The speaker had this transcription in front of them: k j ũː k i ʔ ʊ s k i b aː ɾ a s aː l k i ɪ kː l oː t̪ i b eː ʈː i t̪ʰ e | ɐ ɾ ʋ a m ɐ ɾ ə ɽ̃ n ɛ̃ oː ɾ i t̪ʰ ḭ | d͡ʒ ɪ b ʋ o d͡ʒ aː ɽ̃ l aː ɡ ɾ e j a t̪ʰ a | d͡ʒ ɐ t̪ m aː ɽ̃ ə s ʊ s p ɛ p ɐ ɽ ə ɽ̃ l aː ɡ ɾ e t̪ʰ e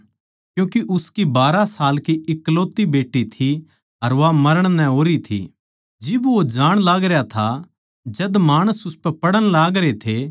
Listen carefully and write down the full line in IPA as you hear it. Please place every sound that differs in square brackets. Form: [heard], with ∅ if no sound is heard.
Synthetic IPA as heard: k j ũː k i ʔ ʊ s k i b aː ɾ a s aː l k i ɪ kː l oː t̪ i b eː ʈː i t̪ʰ [i] | ɐ ɾ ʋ a m ɐ ɾ ə ɽ̃ n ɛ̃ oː ɾ i t̪ʰ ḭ | d͡ʒ ɪ b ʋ o d͡ʒ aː ɽ̃ l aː ɡ ɾ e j a t̪ʰ a | d͡ʒ ɐ [d̪] m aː ɽ̃ ə s ʊ s p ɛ p ɐ ɽ ə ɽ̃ l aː ɡ ɾ e t̪ʰ e